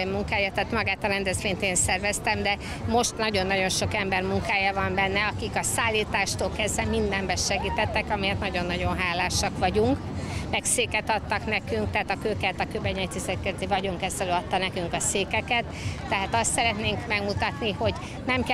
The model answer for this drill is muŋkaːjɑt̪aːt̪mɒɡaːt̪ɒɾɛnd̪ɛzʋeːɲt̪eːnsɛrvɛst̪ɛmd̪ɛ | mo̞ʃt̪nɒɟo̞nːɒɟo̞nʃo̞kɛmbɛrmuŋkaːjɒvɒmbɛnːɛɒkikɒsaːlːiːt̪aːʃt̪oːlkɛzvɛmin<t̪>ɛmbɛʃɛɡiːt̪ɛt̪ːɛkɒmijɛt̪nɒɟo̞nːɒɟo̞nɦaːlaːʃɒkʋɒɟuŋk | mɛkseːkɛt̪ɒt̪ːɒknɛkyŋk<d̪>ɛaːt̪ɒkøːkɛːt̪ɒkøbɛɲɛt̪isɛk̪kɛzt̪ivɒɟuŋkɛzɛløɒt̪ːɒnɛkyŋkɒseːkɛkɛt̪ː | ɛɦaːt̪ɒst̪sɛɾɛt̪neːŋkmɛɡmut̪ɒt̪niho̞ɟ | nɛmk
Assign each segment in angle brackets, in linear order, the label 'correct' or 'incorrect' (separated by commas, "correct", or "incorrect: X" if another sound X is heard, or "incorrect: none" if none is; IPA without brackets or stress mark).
incorrect: d̪, incorrect: t̪